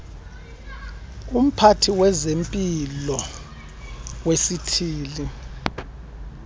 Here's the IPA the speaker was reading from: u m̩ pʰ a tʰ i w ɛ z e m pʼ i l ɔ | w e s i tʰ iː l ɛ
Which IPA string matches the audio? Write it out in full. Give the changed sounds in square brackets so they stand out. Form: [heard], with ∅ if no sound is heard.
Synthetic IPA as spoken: u m̩ pʰ a tʰ i w ɛ z e m pʼ i l ɔ | w e s i tʰ iː l [i]